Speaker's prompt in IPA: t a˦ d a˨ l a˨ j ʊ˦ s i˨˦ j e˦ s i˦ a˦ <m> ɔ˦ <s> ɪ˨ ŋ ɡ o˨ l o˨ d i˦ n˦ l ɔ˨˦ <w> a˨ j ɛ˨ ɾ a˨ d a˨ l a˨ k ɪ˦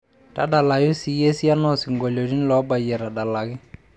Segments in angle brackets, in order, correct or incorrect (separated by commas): incorrect, correct, incorrect